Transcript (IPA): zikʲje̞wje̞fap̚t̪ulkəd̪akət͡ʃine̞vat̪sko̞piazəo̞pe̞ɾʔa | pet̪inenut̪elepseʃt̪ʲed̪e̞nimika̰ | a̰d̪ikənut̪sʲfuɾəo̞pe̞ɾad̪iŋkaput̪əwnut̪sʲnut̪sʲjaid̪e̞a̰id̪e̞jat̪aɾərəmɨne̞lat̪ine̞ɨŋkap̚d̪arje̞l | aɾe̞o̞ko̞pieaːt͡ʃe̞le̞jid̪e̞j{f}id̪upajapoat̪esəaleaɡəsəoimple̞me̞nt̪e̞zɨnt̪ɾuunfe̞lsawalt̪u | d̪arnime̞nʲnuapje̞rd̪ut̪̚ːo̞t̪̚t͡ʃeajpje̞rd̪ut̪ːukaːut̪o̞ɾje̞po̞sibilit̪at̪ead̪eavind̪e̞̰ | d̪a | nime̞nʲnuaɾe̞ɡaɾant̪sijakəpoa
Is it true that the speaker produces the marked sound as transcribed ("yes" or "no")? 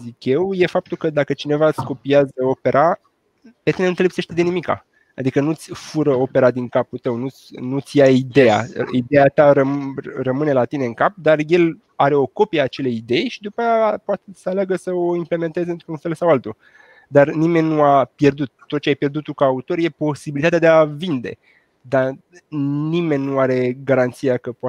no